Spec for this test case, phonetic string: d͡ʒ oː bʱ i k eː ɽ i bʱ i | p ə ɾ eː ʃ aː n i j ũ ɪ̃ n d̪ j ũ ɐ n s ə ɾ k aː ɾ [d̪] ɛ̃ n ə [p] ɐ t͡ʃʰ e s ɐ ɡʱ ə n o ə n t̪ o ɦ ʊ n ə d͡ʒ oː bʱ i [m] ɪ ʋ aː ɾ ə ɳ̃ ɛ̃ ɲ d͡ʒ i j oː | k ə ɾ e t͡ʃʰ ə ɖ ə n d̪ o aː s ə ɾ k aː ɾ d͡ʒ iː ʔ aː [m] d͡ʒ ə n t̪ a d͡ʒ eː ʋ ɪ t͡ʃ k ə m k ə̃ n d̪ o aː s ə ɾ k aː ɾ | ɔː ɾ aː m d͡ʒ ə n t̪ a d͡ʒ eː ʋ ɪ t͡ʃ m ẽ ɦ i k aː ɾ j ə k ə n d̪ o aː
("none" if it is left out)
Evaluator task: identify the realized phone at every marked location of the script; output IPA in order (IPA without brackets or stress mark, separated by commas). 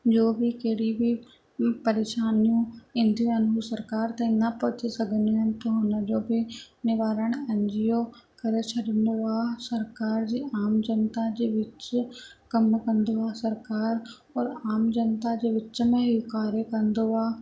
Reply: t̪, p, n, m